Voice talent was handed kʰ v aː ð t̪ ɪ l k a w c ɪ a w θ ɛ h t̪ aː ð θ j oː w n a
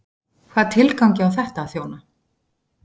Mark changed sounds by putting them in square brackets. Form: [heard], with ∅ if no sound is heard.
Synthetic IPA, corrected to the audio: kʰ v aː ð [t̪ʰ] ɪ l k a w c ɪ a w θ ɛ h t̪ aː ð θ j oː w n a